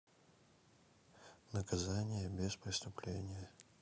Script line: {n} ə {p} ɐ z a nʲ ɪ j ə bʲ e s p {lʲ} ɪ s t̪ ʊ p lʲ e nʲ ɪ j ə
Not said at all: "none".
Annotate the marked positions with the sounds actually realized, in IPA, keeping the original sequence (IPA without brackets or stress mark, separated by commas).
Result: n, k, ɾʲ